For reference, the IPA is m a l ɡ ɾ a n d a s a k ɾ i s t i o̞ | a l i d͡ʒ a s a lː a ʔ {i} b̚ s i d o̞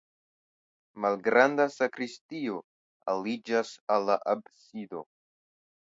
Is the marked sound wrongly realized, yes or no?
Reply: yes